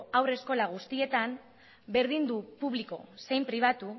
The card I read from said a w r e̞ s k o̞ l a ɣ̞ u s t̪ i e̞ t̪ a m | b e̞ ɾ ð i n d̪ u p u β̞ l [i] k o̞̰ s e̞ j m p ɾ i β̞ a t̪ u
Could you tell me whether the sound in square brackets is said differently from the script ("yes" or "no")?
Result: no